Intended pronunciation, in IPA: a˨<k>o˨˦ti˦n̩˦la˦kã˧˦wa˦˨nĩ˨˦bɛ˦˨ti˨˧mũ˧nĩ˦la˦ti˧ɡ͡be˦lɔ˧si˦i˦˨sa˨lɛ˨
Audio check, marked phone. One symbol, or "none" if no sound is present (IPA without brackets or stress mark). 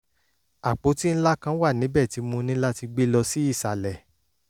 k͡p